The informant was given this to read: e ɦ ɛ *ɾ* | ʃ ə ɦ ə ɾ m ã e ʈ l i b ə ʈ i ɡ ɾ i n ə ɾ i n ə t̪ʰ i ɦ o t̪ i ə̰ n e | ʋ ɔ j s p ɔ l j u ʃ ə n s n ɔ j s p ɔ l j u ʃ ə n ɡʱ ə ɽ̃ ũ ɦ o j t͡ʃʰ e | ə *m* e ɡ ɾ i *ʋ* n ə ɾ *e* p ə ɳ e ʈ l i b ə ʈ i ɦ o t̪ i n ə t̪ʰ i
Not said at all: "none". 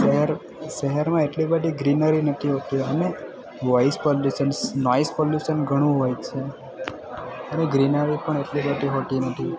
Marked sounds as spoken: ɾ, n, none, i

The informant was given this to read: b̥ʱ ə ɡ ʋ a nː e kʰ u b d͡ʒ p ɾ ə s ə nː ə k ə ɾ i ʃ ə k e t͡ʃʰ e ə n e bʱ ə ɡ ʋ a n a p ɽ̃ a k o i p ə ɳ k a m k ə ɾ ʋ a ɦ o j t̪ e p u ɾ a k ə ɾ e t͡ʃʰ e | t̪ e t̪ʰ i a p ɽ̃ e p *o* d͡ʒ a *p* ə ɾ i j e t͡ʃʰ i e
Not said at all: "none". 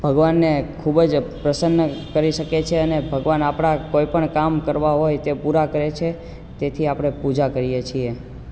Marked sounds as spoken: u, k

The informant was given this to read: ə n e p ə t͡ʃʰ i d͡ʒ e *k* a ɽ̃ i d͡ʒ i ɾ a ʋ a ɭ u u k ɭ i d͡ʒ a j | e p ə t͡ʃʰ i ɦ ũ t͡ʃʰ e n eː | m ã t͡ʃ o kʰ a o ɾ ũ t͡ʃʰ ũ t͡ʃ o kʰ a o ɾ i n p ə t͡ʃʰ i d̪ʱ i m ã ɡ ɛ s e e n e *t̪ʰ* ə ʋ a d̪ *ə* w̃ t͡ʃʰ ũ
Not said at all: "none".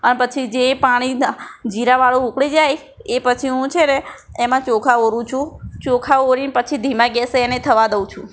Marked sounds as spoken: p, t̪ʰ, ə

